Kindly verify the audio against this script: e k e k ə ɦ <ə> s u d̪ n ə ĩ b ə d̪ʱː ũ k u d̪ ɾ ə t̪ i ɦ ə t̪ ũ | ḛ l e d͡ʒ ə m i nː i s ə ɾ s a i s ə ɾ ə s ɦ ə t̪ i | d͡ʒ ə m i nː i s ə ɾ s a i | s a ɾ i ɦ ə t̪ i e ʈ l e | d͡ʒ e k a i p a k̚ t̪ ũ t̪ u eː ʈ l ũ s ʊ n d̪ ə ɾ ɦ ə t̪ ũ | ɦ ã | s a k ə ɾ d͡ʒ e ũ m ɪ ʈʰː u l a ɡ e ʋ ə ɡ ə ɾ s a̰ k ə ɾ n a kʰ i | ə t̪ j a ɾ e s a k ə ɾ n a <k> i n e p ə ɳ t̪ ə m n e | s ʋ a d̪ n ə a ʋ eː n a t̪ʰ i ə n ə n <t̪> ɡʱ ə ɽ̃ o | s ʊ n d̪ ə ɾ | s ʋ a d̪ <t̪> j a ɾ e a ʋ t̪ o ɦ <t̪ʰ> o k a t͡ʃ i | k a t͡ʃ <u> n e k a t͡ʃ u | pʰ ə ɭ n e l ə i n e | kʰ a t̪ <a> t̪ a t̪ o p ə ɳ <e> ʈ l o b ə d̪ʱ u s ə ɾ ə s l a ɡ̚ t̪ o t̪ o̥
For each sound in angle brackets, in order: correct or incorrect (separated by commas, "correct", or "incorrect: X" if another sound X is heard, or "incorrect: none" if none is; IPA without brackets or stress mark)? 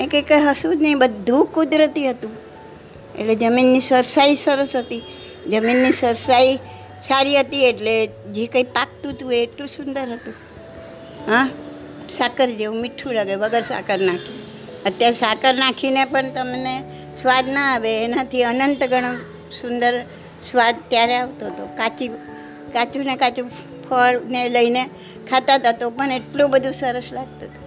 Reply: correct, incorrect: kʰ, correct, correct, incorrect: t̪, correct, correct, correct